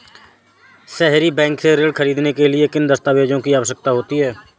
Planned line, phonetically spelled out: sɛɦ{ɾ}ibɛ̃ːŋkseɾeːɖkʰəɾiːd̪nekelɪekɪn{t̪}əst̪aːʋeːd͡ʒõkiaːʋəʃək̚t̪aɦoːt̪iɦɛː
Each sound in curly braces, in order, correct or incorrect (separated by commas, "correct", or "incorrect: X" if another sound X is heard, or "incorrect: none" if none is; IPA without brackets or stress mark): correct, incorrect: d̪